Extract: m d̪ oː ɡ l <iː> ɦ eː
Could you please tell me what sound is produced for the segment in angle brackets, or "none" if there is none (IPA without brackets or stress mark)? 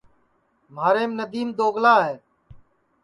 aː